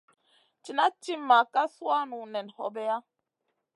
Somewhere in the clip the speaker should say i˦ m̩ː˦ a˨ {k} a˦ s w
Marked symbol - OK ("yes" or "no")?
yes